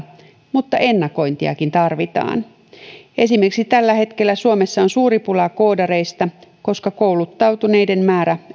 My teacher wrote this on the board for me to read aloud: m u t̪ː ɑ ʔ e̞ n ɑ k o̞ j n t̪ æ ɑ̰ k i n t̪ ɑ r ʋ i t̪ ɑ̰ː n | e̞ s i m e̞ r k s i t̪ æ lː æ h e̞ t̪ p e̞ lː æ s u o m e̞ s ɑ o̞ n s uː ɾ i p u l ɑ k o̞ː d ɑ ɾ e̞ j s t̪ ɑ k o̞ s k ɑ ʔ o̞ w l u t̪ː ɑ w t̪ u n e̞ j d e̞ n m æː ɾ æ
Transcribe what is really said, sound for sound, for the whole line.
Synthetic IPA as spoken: m u t̪ː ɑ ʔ e̞ nː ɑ k o̞ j n t̪ i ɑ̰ k i n t̪ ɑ r ʋ i t̪ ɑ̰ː n | e̞ s i m e̞ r k s i t̪ æ lː æ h e̞ t̪ k e̞ lː æ s u o m e̞ sː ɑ o̞ n s uː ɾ i p u l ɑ k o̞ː d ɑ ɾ e̞ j s t̪ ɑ k o̞ s k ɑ k o̞ w l u t̪ː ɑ w t̪ u n e̞ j d e̞ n m æː ɾ æ